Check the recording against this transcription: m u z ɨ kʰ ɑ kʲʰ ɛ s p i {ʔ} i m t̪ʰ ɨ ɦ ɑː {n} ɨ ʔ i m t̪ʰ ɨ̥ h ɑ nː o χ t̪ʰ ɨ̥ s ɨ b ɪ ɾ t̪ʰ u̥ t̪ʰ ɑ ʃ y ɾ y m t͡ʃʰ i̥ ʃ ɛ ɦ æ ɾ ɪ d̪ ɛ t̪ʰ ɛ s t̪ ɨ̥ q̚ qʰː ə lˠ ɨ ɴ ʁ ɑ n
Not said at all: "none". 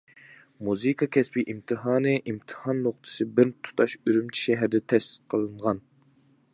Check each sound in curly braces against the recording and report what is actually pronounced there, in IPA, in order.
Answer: ʔ, n

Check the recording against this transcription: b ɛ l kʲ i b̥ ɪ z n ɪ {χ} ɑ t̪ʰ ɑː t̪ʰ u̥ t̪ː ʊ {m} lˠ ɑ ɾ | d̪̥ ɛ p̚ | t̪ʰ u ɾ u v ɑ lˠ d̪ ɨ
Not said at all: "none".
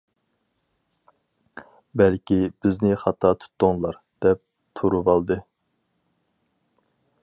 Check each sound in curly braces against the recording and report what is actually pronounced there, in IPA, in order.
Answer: χ, ŋ

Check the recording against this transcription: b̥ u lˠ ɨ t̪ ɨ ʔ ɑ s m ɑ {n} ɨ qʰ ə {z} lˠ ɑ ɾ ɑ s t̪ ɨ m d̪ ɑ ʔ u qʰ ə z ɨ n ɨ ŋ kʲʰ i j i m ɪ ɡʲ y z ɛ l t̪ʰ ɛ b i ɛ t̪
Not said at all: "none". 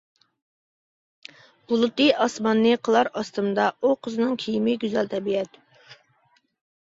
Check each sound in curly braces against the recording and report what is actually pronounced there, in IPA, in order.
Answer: nː, none

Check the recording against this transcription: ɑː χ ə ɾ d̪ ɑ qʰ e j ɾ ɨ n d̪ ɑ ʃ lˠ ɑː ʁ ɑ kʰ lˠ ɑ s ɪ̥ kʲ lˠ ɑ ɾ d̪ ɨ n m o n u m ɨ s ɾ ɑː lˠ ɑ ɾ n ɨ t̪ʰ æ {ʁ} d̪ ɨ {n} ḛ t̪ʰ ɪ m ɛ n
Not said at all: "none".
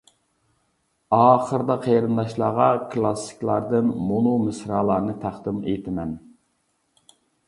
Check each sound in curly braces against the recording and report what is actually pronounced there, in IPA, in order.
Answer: χ, m

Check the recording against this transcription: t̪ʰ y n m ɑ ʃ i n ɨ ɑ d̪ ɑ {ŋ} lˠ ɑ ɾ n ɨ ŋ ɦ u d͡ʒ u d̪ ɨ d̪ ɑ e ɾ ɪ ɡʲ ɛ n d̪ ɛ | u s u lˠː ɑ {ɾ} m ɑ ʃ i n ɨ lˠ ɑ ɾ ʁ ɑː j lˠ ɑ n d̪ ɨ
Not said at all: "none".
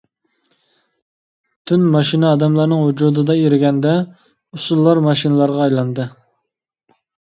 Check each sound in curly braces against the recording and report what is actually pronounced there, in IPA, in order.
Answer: m, ɾ

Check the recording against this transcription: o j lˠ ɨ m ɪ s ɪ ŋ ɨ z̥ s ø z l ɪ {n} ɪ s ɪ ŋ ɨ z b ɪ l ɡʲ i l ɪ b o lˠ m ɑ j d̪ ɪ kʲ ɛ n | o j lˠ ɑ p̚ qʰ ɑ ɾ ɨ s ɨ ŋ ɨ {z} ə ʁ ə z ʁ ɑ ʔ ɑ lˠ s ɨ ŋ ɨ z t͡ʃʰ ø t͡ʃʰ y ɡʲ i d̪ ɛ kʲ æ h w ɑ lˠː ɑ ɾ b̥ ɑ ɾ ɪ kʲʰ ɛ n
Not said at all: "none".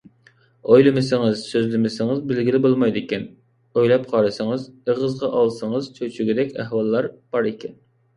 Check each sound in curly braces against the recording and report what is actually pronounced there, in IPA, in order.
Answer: m, z

